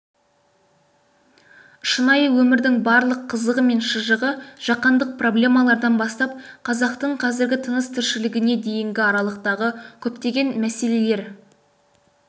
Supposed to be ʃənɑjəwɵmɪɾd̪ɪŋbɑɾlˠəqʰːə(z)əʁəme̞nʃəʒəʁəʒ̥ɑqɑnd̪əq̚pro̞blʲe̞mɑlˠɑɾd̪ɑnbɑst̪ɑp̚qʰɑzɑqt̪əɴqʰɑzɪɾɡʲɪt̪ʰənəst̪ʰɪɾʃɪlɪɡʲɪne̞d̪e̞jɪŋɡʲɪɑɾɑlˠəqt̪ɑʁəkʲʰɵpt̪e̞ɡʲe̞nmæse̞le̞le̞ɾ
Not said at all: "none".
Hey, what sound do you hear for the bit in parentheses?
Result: z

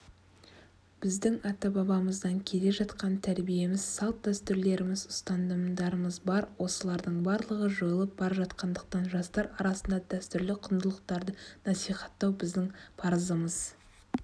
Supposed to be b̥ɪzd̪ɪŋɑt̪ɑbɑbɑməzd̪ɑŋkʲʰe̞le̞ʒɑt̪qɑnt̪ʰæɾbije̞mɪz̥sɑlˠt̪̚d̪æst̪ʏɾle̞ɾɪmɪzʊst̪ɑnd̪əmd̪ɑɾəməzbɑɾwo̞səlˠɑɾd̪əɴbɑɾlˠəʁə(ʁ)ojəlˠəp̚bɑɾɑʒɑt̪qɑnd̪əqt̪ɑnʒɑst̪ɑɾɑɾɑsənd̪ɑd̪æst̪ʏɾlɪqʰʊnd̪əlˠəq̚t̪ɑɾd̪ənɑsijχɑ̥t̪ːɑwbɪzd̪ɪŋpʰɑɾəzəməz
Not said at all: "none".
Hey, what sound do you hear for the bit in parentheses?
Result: ʒ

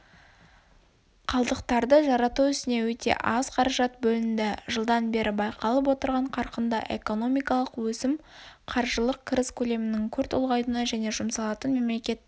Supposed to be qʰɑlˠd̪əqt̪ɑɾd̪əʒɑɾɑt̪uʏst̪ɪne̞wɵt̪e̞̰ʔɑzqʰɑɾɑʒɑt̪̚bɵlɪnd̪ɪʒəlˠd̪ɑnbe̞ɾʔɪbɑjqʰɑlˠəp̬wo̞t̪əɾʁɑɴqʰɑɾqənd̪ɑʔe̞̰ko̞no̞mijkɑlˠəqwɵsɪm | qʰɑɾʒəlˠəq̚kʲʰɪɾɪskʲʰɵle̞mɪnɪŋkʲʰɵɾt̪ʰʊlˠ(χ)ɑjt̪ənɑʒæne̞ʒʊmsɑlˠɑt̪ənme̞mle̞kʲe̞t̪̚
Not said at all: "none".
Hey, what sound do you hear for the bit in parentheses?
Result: ʁ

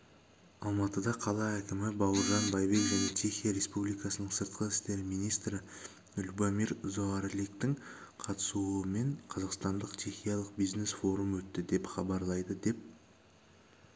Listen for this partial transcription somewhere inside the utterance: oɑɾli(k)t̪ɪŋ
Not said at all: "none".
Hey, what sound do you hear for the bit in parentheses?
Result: k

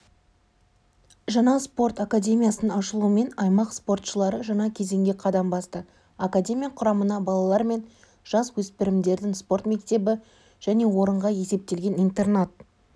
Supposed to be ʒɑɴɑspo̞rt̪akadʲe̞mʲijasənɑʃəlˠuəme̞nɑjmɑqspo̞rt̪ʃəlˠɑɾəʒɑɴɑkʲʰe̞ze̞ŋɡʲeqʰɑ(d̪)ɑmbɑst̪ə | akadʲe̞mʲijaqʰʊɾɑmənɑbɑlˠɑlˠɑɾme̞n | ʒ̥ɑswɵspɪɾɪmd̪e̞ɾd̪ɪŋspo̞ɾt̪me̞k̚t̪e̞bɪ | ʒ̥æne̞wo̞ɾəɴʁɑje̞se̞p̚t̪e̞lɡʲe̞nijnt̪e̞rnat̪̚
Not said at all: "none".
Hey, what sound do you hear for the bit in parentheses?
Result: d̪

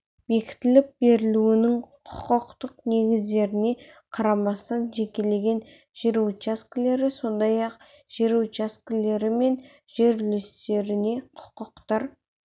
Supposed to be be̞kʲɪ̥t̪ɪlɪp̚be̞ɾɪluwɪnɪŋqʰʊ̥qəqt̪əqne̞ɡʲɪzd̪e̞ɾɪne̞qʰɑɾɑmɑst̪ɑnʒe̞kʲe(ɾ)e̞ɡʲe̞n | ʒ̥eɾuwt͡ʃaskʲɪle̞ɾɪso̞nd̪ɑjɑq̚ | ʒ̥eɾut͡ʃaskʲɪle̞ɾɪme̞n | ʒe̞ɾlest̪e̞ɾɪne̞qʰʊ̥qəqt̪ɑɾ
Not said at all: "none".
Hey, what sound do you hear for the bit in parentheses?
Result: l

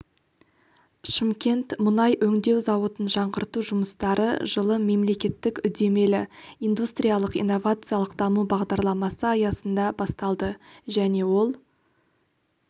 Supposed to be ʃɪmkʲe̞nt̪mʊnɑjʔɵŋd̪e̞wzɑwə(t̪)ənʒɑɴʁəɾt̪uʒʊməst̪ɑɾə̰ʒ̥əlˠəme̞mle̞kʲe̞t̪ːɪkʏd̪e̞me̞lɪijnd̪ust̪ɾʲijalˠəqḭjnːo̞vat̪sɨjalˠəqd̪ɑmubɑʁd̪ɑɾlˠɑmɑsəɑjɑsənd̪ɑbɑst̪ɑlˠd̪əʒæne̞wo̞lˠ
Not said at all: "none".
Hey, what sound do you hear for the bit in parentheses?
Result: t̪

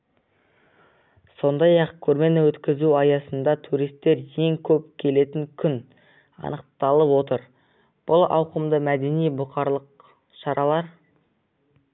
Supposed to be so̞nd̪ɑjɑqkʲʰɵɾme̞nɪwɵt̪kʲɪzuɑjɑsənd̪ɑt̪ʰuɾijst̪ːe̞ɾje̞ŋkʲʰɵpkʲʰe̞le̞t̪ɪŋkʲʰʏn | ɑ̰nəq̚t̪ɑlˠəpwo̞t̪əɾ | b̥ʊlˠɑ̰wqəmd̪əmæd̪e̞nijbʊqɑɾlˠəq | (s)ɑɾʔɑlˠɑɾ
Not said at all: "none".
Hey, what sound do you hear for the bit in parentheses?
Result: ʃ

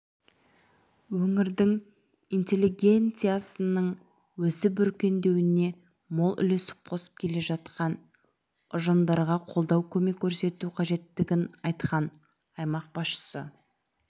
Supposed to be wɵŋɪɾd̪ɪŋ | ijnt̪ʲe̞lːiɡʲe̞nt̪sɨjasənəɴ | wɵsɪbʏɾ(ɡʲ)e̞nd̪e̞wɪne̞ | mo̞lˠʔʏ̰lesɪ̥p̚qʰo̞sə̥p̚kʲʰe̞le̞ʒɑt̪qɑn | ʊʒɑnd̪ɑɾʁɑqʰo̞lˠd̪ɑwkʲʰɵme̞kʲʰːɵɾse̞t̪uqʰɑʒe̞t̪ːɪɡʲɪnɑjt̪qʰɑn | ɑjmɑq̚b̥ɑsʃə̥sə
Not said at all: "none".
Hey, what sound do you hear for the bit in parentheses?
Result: kʲ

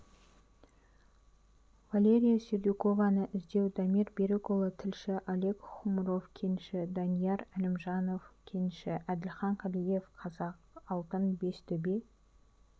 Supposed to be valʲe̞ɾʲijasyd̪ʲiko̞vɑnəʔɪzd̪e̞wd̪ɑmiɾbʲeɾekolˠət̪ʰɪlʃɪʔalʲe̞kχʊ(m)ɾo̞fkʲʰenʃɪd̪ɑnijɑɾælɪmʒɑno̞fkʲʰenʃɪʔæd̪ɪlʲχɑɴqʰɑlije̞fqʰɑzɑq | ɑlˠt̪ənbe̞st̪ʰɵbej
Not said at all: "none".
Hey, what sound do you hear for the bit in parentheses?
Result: m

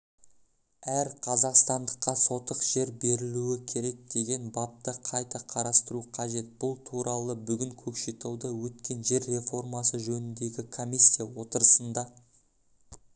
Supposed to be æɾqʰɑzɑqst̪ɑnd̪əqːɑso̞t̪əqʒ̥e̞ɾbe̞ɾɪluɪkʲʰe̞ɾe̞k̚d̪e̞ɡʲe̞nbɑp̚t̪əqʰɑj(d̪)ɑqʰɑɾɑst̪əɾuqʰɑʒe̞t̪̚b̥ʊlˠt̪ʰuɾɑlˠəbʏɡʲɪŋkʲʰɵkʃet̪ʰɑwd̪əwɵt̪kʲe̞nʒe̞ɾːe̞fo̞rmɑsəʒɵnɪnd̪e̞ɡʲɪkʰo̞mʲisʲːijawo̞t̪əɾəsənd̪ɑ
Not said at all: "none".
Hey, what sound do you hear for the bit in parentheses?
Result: t̪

